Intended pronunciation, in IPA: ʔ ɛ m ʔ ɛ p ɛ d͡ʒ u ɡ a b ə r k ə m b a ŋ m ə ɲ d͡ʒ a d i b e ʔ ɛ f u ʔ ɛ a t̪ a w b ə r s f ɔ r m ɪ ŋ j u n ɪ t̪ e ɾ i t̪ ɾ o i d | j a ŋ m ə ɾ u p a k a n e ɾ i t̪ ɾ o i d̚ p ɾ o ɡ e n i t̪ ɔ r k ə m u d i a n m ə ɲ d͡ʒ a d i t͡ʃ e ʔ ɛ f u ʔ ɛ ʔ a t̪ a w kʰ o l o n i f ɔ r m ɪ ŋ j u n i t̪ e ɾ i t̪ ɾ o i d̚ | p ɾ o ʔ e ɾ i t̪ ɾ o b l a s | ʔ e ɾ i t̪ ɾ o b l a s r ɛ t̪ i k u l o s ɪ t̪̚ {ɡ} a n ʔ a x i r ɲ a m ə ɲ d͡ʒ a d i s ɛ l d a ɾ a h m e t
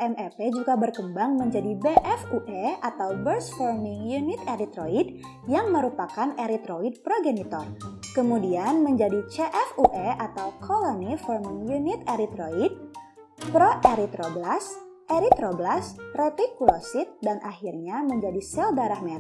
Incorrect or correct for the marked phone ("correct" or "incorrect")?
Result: incorrect